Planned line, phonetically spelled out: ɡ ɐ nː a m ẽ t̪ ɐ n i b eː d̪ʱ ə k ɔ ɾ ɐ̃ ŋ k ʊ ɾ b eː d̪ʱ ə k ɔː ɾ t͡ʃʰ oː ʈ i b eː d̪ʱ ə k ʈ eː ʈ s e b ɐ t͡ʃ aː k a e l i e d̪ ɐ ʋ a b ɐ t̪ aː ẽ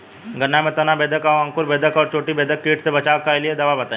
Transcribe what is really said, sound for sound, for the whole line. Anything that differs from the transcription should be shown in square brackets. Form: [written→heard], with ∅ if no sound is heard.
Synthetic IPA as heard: ɡ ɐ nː a m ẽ t̪ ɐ n [i→a] b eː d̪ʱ ə k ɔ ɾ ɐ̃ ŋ k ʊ ɾ b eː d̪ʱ ə k ɔː ɾ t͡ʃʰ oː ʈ i b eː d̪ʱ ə k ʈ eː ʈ s e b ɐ t͡ʃ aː k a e l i e d̪ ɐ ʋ a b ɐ t̪ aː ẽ